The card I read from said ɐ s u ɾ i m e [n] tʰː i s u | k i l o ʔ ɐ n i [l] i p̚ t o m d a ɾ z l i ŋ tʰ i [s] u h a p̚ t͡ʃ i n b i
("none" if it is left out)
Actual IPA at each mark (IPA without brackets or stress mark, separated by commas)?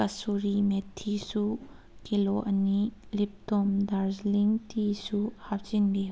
none, l, s